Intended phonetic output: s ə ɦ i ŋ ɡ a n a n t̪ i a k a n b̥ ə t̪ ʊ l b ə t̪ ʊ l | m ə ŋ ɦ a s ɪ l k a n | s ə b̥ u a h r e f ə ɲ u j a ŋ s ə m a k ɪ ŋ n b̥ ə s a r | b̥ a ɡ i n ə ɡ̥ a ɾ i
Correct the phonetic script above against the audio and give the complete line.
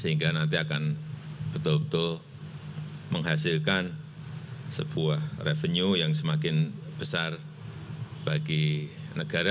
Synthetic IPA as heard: s ə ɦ i ŋ ɡ a n a n t̪ i a k a n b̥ ə t̪ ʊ l b ə t̪ ʊ l | m ə ŋ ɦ a s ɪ l k a n | s ə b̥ u a h r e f ə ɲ u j a ŋ s ə m a k ɪ n b̥ ə s a r | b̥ a ɡ i n ə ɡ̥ a ɾ a